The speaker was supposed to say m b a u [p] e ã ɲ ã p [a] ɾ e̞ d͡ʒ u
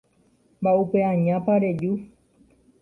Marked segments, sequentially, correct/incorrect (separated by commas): correct, correct